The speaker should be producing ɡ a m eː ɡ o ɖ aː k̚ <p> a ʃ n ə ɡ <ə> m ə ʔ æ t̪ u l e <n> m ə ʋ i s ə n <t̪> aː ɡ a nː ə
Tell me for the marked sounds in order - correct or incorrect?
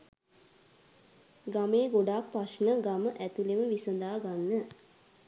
correct, incorrect: a, incorrect: none, incorrect: d̪

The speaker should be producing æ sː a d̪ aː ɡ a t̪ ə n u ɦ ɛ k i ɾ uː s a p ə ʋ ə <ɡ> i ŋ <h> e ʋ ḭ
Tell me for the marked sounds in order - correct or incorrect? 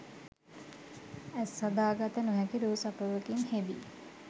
incorrect: k, correct

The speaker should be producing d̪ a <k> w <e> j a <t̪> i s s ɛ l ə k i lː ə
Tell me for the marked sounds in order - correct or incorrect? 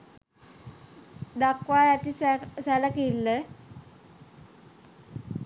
correct, incorrect: a, correct

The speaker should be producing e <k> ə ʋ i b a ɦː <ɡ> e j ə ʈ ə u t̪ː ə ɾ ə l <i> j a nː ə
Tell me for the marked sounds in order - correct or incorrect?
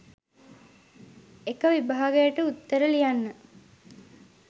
correct, correct, correct

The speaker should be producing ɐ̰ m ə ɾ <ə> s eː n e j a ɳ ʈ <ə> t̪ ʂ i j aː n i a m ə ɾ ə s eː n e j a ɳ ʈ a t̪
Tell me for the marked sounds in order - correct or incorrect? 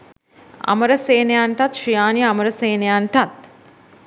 correct, incorrect: a

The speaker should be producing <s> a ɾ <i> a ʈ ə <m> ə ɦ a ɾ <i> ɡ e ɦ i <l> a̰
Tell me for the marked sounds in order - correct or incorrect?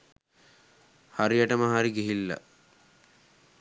incorrect: h, correct, correct, correct, incorrect: lː

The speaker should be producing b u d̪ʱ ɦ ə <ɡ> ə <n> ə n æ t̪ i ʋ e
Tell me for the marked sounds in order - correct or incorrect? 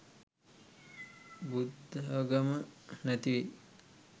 correct, incorrect: m

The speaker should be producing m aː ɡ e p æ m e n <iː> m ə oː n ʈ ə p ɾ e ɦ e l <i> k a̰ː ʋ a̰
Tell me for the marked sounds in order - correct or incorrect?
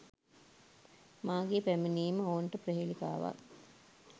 correct, correct

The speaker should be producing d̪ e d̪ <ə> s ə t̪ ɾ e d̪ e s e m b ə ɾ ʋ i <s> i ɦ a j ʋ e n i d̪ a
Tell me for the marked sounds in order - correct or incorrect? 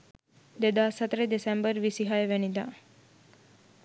incorrect: a, correct

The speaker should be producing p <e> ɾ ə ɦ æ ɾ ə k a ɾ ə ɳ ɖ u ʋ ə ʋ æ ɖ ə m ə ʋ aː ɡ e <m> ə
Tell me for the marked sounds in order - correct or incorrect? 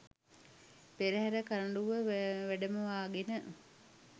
correct, incorrect: n

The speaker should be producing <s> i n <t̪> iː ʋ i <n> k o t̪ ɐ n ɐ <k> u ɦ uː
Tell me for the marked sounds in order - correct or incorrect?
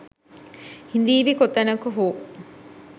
incorrect: h, incorrect: d̪, incorrect: none, correct

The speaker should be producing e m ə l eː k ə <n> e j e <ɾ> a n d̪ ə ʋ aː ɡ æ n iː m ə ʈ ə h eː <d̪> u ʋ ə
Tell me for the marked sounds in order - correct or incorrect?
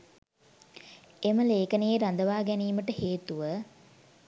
correct, correct, incorrect: t̪

